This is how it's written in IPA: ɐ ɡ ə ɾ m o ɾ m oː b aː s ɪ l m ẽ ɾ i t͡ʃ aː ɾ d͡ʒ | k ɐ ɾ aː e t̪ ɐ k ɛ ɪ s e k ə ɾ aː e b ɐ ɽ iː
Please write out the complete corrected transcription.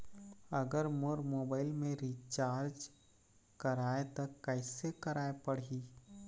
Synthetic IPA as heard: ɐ ɡ ə ɾ m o ɾ m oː b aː ɪ l m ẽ ɾ i t͡ʃ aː ɾ d͡ʒ | k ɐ ɾ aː e t̪ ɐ k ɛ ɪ s e k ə ɾ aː e p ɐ ɽ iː